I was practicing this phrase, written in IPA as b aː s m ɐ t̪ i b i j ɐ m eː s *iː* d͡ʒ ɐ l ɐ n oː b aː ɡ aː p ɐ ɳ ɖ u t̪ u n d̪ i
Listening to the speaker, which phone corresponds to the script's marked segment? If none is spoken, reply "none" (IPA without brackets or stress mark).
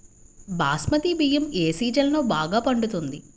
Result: iː